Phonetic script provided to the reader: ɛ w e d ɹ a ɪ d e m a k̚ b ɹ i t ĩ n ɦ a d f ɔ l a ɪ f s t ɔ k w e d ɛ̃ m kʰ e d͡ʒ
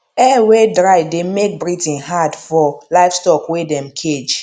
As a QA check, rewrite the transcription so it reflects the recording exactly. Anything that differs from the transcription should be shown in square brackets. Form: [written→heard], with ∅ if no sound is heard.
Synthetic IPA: ɛ w e d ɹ a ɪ d e m [a→e] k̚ b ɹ i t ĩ n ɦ a d f ɔ l a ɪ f s t ɔ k w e d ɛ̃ m kʰ e d͡ʒ

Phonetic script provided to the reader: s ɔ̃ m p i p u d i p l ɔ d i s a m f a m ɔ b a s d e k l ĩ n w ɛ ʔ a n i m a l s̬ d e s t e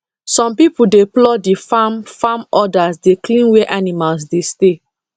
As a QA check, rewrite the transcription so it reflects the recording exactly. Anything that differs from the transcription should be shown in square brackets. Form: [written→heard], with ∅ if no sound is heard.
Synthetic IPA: s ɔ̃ m p i p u d [i→e] p l ɔ d i [s→f] a m f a m ɔ [b→d] a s d e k l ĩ n w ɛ ʔ a n i m a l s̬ d e s t e

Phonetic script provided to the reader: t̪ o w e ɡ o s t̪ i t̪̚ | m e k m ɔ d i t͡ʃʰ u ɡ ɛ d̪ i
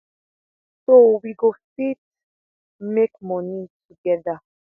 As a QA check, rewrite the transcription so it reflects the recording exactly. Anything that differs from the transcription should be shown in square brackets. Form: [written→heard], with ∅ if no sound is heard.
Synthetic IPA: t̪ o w [e→i] ɡ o s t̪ i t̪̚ | m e k m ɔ [d→n] i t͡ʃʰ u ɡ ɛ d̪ [i→a]

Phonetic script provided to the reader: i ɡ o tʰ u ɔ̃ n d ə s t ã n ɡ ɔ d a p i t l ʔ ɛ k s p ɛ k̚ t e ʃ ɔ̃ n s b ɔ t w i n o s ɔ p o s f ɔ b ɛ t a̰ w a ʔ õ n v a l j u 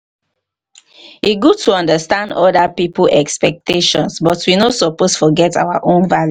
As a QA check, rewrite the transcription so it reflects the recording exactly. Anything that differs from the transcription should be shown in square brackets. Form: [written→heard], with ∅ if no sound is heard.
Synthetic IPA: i ɡ [o→u] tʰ u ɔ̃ n d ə s t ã n [ɡ→d] ɔ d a p i [t→p] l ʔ ɛ k s p ɛ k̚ t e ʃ ɔ̃ n s b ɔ t w i n o s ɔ p o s f ɔ [b→ɡ] ɛ t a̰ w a ʔ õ n v a l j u

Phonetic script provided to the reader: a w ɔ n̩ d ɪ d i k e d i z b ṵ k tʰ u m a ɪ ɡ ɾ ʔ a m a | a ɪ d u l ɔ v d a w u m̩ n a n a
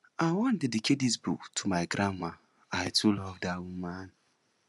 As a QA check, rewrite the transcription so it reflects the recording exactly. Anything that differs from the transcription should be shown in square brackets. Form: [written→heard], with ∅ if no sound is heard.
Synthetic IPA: a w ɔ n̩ d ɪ d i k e d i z b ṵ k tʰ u m a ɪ ɡ ɾ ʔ a m a | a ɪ [d→t] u l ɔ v d a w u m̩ [n→m] a n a

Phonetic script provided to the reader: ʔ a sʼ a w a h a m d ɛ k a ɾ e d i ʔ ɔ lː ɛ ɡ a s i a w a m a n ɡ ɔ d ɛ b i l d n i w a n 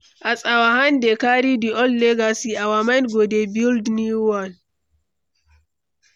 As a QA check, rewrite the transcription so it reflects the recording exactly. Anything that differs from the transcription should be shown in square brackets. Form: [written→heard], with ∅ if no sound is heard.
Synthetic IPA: ʔ a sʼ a w a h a [m→n] d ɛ k a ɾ [e→i] d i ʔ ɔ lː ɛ ɡ a s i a w a m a n ɡ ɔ d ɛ b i l d n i w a n

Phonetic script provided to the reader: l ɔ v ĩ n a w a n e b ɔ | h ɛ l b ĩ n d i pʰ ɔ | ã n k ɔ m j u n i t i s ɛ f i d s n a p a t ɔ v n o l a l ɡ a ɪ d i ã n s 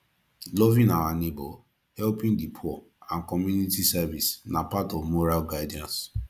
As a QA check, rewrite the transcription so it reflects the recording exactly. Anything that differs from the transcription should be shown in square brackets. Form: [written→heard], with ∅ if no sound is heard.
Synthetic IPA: l ɔ v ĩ n a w a n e b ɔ | h ɛ l [b→p] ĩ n d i pʰ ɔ | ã n k ɔ m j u n i t i s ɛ [f→v] i [d→∅] s n a p a t ɔ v [n→m] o [l→ɹ] a l ɡ a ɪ d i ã n s

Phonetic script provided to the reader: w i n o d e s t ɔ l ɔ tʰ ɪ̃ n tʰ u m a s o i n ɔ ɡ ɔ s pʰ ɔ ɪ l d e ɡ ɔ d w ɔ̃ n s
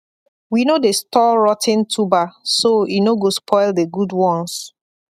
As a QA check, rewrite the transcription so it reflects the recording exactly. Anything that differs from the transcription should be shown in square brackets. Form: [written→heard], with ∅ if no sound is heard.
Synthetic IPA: w i n o d e s t ɔ [l→ɹ] ɔ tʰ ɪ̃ n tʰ u [m→b] a s o i n [ɔ→o] ɡ [ɔ→o] s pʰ ɔ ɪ l d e ɡ [ɔ→u] d w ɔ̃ n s

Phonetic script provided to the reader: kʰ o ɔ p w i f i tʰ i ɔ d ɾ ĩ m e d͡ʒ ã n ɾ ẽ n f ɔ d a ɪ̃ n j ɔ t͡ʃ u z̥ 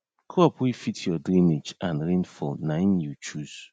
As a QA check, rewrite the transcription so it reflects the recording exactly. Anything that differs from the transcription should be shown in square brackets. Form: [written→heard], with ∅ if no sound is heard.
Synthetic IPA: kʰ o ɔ p w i f i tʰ [i→j] ɔ d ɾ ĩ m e d͡ʒ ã n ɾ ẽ n f ɔ [d→n] a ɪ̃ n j [ɔ→u] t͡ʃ u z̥

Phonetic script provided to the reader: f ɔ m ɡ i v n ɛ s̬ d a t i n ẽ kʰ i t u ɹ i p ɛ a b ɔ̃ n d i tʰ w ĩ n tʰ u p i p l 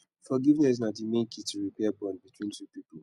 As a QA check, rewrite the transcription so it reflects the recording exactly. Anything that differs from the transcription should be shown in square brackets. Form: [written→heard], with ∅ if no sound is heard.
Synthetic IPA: f ɔ [m→∅] ɡ i v n ɛ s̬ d a t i [n→m] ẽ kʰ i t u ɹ i p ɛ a b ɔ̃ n [d→b] i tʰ w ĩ n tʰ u p i p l

